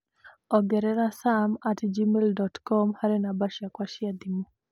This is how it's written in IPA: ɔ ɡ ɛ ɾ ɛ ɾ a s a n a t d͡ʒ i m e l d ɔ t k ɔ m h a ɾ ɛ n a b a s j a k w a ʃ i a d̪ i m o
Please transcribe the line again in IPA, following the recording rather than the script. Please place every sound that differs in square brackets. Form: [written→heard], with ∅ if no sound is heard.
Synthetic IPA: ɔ ɡ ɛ ɾ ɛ ɾ a s a [n→m] a t d͡ʒ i m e l d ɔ t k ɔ m h a ɾ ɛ n a b a [s→ʃ] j a k w a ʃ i a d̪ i m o

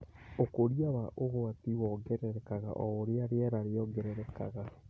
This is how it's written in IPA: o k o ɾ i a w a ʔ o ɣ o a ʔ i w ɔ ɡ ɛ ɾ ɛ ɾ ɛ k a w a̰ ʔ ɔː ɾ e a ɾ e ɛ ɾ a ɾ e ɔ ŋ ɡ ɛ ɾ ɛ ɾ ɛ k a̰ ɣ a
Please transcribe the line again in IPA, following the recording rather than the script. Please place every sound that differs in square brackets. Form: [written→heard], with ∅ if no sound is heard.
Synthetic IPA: o k o ɾ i a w a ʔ o ɣ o a [ʔ→t] i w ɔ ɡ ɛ ɾ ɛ ɾ ɛ k a [w→ɣ] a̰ ʔ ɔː ɾ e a ɾ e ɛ ɾ a ɾ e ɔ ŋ ɡ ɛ ɾ ɛ ɾ ɛ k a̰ ɣ a

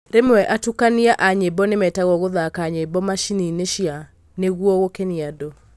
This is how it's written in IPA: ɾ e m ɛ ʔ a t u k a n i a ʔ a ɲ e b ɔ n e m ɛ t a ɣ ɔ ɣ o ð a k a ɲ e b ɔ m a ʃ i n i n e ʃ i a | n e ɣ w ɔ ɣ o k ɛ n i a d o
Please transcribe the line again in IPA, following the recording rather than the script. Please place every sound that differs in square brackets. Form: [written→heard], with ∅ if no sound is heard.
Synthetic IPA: ɾ e m ɛ ʔ a t u k a n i a ʔ a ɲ e b ɔ n e m ɛ t a ɣ ɔ ɣ o ð a k a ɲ e b ɔ m a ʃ i n i n e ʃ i a | n e ɣ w ɔ ɣ o k ɛ n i a d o

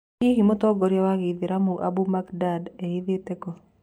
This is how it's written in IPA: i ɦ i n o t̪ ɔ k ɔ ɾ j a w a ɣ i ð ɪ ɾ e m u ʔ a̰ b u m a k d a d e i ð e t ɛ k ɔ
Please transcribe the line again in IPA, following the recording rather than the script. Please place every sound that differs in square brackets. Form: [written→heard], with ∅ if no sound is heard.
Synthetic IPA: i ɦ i [n→m] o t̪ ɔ [k→ɡ] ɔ ɾ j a w a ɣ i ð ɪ ɾ [e→a] m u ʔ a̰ b u m a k d a d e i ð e t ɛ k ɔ

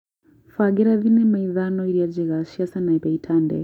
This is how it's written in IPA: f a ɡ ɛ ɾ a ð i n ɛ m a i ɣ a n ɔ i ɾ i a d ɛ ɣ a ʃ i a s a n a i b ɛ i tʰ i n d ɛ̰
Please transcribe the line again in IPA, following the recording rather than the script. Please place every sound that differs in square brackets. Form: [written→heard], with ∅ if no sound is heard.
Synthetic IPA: f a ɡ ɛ ɾ a ð i n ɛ m a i [ɣ→ð] a n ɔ i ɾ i a [d→d͡ʒ] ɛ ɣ a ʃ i a s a n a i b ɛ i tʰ [i→a] n d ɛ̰

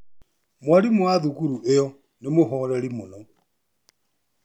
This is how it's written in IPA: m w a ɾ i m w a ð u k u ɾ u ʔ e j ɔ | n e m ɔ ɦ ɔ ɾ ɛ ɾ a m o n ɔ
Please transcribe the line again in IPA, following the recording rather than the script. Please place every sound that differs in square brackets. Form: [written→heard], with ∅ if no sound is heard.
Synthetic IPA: m w a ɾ i m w a ð u k u ɾ u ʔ e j ɔ | n e m [ɔ→o] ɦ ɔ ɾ ɛ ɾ [a→i] m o n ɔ

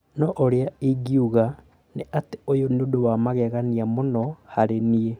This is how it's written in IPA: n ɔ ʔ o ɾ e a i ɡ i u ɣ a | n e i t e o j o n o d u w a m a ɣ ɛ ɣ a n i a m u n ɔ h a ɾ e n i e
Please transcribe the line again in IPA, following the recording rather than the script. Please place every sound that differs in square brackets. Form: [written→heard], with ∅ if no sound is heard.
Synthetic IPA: n ɔ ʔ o ɾ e a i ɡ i u ɣ a | n e [i→a] t e o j o n o d [u→o] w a m a ɣ ɛ ɣ a n i a m [u→o] n ɔ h a ɾ e n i e

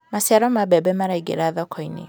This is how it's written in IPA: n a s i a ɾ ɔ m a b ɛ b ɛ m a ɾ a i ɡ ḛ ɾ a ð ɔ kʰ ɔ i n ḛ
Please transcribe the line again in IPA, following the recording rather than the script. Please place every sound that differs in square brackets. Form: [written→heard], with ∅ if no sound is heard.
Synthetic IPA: [n→m] a s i a ɾ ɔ m a b ɛ b ɛ m a ɾ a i ɡ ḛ ɾ a ð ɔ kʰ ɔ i n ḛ

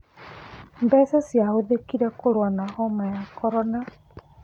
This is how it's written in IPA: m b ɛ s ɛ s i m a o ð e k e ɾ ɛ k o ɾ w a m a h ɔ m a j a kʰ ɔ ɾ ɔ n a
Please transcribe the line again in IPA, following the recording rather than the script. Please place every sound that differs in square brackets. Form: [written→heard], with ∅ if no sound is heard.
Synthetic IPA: m b ɛ s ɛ s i [m→∅] a o ð e k [e→i] ɾ ɛ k o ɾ w a [m→n] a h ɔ m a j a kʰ ɔ ɾ ɔ n a

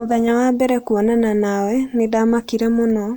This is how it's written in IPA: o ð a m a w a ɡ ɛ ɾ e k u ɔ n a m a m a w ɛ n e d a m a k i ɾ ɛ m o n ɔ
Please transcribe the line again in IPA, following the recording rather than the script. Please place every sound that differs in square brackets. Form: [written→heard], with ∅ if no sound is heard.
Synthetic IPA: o ð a [m→ɲ] a w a [ɡ→b] ɛ ɾ [e→ɛ] k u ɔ n a [m→n] a [m→n] a w ɛ n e d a m a k i ɾ ɛ m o n ɔ

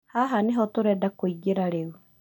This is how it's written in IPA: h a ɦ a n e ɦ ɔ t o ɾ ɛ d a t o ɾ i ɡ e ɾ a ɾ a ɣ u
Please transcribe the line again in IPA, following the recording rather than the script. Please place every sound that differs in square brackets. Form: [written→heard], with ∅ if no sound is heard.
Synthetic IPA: h a ɦ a n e ɦ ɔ t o ɾ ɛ d a [t→k] o [ɾ→∅] i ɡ e ɾ a ɾ [a→e] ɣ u

